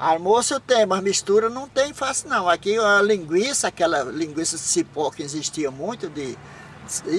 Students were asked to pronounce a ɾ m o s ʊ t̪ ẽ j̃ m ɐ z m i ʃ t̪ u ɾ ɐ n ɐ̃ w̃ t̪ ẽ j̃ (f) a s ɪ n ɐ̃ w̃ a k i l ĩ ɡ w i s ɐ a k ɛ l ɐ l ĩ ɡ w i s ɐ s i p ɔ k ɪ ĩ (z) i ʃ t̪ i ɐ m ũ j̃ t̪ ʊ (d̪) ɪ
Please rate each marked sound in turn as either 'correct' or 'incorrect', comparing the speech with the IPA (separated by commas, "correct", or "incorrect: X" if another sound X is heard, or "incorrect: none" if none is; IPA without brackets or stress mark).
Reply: correct, correct, correct